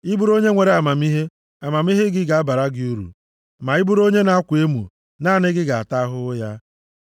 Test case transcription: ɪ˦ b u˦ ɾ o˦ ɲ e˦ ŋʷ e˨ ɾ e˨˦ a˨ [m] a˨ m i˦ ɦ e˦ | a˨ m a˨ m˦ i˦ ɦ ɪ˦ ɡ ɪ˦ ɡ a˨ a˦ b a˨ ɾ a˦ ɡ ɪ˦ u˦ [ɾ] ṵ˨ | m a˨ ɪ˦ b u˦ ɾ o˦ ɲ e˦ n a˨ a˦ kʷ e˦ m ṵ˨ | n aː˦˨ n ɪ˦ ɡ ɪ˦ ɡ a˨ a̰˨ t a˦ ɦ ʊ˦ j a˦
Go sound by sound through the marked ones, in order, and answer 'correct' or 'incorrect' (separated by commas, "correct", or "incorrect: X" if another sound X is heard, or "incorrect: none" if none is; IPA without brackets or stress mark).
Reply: correct, correct